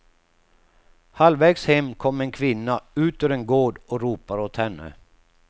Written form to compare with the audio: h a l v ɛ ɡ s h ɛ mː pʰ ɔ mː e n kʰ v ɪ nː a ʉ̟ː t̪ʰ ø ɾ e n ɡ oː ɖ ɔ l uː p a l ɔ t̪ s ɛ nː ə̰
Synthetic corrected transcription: h a l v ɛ ɡ s h ɛ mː kʰ ɔ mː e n kʰ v ɪ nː a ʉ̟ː t̪ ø ɾ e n ɡ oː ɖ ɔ ɾ uː p a ɾ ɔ t̪ h ɛ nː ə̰